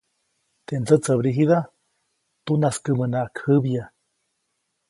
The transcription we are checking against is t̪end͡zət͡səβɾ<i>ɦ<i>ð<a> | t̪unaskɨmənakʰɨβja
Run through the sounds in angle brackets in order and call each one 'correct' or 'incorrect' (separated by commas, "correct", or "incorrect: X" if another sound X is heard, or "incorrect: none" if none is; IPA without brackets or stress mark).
correct, correct, correct